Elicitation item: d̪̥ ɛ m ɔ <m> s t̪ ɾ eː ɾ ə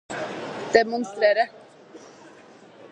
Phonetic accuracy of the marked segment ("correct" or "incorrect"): incorrect